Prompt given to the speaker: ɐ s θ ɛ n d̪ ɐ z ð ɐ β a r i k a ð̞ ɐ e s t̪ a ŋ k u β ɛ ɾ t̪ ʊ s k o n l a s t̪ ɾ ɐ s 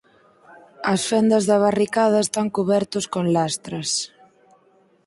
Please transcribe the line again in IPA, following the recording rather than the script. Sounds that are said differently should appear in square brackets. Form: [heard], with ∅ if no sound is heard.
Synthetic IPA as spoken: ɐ s [f] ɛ n d̪ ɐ z ð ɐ β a r i k a ð̞ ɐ e s t̪ a ŋ k u β ɛ ɾ t̪ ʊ s k o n l a s t̪ ɾ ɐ s